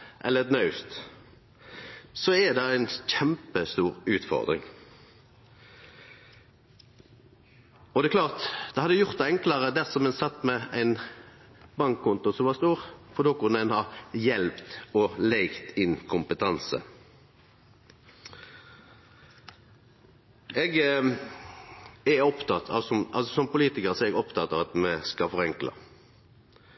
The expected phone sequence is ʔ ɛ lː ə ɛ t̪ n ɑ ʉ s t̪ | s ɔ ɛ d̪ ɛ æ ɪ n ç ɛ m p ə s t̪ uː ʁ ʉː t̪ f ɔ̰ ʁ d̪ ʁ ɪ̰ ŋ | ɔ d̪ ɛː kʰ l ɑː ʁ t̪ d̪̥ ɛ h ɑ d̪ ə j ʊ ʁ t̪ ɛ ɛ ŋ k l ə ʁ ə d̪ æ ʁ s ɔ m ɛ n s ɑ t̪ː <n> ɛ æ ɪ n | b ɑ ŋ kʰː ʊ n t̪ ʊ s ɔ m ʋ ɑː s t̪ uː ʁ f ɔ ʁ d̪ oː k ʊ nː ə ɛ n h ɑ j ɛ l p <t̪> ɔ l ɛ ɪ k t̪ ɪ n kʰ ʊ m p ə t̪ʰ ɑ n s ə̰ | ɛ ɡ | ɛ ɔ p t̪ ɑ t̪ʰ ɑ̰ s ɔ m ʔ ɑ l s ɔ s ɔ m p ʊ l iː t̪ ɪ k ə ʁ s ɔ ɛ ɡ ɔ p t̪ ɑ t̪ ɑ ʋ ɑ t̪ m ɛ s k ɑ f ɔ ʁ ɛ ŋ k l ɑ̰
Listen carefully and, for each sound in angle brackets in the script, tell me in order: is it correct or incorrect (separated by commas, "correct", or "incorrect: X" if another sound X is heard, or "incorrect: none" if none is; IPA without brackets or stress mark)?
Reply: incorrect: m, correct